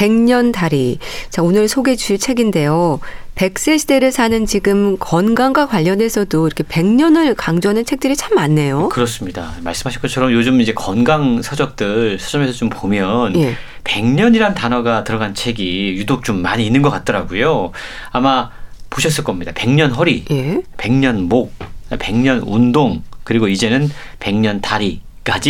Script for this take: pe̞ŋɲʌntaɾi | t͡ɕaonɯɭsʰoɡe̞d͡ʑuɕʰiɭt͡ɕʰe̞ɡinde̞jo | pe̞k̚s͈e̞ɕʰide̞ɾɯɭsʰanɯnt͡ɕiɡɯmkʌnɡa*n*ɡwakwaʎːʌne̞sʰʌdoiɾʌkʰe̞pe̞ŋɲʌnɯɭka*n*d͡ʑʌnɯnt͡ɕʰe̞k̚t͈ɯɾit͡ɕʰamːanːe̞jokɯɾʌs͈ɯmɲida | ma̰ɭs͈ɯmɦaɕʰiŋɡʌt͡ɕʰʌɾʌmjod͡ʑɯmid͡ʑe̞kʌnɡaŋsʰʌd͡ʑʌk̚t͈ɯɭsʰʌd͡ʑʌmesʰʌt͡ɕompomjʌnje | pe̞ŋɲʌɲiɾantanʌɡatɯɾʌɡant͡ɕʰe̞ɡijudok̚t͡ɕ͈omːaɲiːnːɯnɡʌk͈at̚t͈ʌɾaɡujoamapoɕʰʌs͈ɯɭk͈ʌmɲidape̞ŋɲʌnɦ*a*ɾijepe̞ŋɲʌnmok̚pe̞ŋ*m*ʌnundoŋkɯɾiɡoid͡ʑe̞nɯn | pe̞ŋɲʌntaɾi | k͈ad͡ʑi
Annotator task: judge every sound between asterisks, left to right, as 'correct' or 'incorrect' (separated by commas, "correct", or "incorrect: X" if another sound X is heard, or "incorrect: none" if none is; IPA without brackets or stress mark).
incorrect: ŋ, incorrect: ŋ, incorrect: ʌ, incorrect: ɲ